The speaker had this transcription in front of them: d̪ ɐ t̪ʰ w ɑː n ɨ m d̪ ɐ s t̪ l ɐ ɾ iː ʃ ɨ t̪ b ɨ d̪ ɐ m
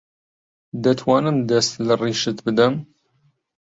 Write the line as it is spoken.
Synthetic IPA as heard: d̪ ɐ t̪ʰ w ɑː n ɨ m d̪ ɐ s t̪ l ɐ r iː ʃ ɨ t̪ b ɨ d̪ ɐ m